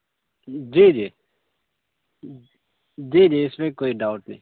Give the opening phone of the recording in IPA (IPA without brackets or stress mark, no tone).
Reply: d͡ʒ